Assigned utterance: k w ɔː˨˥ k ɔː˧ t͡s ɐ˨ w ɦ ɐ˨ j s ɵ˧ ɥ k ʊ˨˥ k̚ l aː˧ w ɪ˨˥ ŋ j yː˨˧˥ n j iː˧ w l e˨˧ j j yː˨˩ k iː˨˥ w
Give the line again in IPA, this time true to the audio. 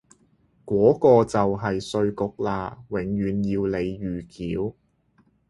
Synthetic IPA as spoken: k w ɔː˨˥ k ɔː˧ t͡s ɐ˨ w ɦ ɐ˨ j s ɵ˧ ɥ k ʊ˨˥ k̚ l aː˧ w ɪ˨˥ ŋ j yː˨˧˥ n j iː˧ w l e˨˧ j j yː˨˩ k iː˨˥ w

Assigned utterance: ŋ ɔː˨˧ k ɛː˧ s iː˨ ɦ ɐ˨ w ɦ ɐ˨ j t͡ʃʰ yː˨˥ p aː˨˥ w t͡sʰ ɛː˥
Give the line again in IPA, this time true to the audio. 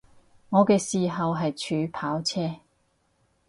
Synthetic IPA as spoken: ŋ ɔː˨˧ k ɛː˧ s iː˨ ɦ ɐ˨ w ɦ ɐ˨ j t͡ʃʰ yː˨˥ pʰ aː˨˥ w t͡sʰ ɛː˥

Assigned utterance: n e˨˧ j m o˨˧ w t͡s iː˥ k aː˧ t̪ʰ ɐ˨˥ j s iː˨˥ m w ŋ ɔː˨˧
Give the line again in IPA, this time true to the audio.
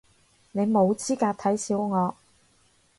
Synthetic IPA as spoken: n e˨˧ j m o˨˧ w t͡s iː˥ k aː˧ t̪ʰ ɐ˨˥ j s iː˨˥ w ŋ ɔː˨˧

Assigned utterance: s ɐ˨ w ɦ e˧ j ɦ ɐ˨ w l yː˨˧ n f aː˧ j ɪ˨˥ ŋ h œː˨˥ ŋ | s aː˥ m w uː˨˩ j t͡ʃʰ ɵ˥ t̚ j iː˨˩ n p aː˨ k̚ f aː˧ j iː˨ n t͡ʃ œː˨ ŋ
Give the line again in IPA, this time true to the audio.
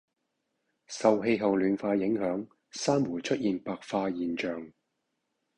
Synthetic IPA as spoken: s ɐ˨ w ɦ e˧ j ɦ ɐ˨ w l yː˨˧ n f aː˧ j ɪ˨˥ ŋ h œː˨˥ ŋ | s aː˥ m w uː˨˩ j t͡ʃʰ ɵ˥ t̚ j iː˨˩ n p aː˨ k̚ f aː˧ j iː˨ n t͡ʃ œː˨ ŋ

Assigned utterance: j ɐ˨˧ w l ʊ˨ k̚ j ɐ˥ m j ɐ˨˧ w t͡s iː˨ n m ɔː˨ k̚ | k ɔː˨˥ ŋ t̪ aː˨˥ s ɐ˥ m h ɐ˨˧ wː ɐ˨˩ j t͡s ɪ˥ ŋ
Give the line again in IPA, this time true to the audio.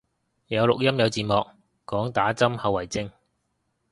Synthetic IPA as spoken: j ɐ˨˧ w l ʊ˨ k̚ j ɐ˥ m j ɐ˨˧ w t͡s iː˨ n m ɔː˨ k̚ | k ɔː˨˥ ŋ t̪ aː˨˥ t͡s ɐ˥ m h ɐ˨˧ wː ɐ˨˩ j t͡s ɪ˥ ŋ

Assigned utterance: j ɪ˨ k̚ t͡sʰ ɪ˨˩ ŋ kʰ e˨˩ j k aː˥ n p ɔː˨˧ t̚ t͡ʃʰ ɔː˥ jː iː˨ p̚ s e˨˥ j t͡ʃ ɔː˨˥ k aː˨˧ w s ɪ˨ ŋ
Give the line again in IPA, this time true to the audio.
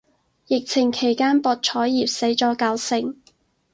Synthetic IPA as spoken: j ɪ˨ k̚ t͡sʰ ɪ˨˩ ŋ kʰ e˨˩ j k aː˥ n p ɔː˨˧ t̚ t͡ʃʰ ɔː˨˥ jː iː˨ p̚ s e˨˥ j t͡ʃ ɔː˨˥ k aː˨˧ w s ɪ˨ ŋ

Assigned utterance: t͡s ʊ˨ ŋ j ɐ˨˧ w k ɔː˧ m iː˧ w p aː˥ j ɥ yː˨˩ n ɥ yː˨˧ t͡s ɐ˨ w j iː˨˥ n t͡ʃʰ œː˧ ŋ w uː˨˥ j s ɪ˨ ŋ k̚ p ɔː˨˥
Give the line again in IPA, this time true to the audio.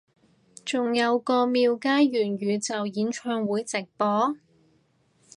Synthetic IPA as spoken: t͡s ʊ˨ ŋ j ɐ˨˧ w k ɔː˧ m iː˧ w k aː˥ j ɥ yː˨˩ n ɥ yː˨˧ t͡s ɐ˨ w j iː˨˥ n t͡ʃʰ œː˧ ŋ w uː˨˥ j t͡s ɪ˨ k̚ p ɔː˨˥

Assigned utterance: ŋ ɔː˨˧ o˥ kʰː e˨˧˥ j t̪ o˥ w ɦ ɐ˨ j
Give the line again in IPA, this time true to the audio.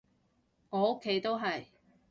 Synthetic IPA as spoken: ŋ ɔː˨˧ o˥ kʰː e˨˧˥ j t̪ o˥ w ɦ ɐ˨ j

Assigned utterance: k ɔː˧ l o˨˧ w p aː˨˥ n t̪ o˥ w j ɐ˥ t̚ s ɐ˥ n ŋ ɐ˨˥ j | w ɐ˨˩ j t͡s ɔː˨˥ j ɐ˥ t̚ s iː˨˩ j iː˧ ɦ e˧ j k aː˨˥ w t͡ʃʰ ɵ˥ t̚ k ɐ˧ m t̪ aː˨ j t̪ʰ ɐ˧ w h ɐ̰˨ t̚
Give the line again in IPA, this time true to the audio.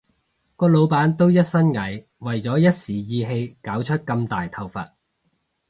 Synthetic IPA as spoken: k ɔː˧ l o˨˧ w p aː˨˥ n t̪ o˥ w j ɐ˥ t̚ s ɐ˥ n ŋ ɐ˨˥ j | w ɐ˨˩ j t͡s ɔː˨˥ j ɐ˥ t̚ s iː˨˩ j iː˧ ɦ e˧ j k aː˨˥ w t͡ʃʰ ɵ˥ t̚ k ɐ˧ m t̪ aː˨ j t̪ʰ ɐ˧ w f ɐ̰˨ t̚

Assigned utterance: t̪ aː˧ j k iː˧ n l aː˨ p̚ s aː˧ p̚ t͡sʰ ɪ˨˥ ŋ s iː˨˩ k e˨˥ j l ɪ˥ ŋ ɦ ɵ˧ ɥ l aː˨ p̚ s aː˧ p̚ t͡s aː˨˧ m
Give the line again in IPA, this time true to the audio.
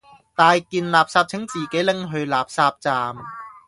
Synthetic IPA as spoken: t̪ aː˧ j k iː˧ n l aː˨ p̚ s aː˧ p̚ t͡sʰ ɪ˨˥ ŋ t͡s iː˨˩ k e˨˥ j l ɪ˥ ŋ ɦ ɵ˧ ɥ l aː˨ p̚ s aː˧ p̚ t͡s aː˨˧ m

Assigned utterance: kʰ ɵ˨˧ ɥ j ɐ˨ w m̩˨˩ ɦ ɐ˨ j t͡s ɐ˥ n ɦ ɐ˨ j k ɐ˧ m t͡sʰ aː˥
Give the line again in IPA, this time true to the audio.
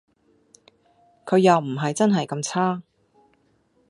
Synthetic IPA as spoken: kʰ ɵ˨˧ ɥ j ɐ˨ w m̩˨˩ ɦ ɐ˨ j t͡s ɐ˥ n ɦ ɐ˨ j k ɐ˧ m t͡sʰ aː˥

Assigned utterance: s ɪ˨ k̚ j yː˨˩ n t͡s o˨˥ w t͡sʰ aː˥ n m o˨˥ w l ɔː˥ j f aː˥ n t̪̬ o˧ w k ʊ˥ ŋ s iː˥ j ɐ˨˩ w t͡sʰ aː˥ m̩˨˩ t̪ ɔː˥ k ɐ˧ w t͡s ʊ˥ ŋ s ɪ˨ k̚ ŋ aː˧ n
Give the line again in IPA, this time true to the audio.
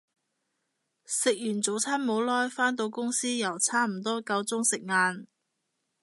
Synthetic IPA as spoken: s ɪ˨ k̚ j yː˨˩ n t͡s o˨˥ w t͡sʰ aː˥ n m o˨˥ w l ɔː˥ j f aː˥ n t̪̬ o˧ w k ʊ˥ ŋ s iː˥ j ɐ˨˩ w t͡sʰ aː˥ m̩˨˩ t̪ ɔː˥ k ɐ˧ w t͡s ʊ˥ ŋ s ɪ˨ k̚ ŋ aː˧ n

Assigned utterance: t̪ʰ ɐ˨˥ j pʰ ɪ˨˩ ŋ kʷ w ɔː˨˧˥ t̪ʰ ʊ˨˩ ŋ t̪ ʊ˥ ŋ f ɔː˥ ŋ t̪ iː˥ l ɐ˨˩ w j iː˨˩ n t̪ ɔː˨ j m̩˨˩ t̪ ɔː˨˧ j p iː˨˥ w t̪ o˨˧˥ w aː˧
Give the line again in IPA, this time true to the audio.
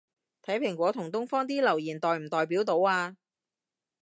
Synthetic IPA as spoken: t̪ʰ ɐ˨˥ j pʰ ɪ˨˩ ŋ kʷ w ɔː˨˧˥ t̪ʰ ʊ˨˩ ŋ t̪ ʊ˥ ŋ f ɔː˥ ŋ t̪ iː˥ l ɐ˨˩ w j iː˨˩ n t̪ ɔː˨ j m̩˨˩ t̪ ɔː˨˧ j p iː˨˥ w t̪ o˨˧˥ w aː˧

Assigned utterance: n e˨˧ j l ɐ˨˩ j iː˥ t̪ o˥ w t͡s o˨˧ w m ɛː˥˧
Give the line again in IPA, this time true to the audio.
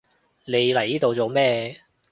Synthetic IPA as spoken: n e˨˧ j l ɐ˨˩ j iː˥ t̪ o˨ w t͡s o˨˧ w m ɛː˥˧

